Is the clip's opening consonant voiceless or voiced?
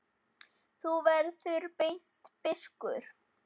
voiceless